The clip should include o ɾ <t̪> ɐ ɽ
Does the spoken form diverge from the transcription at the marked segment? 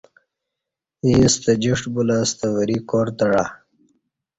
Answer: no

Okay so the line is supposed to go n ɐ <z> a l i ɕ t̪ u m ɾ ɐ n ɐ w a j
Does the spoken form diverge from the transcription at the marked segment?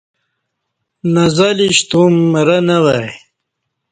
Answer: no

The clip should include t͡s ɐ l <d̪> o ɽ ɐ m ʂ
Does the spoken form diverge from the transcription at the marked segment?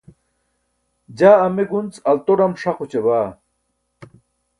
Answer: yes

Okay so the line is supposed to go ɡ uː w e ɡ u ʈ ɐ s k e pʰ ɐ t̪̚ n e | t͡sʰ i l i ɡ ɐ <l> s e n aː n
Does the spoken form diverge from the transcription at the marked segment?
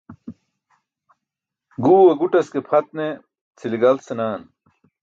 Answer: no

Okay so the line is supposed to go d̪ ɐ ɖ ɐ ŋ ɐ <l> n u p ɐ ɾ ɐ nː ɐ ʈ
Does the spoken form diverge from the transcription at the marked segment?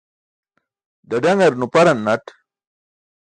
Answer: yes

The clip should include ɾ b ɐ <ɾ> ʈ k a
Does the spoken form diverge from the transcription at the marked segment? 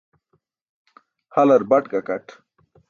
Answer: yes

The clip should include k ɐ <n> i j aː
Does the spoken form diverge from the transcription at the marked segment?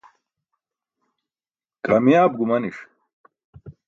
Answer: yes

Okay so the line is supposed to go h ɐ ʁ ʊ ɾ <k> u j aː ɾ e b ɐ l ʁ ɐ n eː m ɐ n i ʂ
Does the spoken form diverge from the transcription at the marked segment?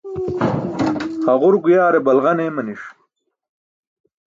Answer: yes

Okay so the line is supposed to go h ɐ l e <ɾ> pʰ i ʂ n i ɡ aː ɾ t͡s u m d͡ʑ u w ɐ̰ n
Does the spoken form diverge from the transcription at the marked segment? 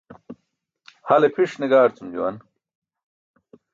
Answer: yes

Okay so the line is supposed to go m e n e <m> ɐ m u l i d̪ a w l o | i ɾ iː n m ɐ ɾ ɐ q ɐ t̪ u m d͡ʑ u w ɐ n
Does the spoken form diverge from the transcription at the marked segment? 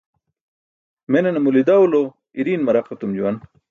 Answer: yes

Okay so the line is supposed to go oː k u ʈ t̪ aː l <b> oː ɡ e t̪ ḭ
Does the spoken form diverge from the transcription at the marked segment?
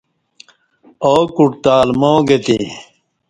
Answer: yes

